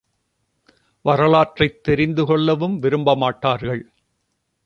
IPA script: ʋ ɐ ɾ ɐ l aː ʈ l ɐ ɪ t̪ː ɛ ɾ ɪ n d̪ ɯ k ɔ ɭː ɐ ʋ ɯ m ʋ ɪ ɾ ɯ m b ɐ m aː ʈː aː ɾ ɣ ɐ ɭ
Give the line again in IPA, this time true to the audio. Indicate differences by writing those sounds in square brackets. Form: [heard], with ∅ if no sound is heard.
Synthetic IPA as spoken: ʋ ɐ ɾ ɐ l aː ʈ [r] ɐ ɪ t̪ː ɛ ɾ ɪ n d̪ ɯ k ɔ ɭː ɐ ʋ ɯ m ʋ ɪ ɾ ɯ m b ɐ m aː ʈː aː ɾ ɣ ɐ ɭ